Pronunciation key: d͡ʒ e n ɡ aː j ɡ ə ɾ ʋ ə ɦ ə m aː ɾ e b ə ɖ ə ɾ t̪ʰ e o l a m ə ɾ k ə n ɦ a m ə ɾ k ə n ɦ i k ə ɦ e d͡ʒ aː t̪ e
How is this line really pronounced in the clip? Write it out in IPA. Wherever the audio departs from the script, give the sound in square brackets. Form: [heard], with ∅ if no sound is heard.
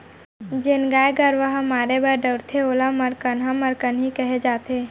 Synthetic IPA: d͡ʒ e n ɡ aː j ɡ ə ɾ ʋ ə ɦ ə m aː ɾ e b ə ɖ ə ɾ t̪ʰ e o l a m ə ɾ k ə n ɦ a m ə ɾ k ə n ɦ i k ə ɦ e d͡ʒ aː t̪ e